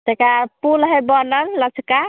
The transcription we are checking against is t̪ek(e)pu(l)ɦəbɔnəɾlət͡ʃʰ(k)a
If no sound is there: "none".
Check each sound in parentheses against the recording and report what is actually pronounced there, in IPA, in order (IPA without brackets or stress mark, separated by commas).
a, l, k